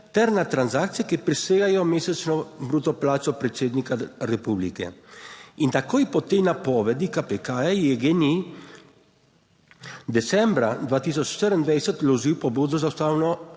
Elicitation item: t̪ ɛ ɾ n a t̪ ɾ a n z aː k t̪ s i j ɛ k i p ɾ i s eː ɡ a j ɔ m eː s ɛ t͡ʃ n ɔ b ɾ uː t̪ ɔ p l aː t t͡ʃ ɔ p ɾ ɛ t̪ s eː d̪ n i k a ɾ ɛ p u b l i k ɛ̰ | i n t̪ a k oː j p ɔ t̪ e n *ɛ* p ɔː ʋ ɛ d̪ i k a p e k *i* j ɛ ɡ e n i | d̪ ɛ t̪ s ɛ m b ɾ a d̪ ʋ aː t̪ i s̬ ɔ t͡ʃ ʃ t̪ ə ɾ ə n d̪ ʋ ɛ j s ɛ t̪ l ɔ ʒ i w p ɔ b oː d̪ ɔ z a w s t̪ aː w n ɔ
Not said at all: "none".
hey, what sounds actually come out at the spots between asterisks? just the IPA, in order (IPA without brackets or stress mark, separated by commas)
a, a